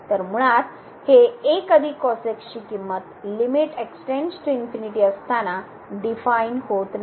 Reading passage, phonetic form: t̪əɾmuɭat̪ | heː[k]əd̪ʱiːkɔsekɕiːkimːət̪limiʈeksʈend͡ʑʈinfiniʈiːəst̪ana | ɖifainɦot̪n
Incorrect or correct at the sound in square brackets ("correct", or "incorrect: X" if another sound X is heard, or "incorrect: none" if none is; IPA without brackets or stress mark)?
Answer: correct